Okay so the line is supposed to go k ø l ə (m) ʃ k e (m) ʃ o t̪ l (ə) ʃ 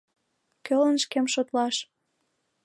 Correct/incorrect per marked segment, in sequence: incorrect, correct, incorrect

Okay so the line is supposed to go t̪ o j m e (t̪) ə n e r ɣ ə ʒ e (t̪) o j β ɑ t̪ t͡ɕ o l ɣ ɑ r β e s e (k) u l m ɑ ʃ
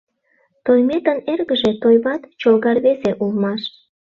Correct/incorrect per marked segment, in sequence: correct, correct, incorrect

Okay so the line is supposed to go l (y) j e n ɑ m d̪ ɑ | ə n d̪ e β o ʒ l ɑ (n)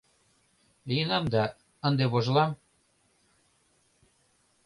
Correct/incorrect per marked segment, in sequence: incorrect, incorrect

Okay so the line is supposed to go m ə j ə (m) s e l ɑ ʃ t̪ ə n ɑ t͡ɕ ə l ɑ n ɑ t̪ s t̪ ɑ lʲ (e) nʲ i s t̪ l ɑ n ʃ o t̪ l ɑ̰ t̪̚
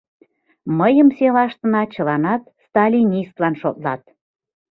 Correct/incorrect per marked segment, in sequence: correct, incorrect

